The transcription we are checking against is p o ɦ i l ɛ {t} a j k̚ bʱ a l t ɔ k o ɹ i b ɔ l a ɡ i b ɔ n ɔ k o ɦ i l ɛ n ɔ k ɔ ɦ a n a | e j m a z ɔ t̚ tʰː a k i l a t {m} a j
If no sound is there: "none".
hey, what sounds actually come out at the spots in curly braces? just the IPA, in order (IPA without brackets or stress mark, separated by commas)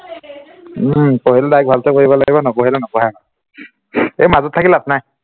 d, n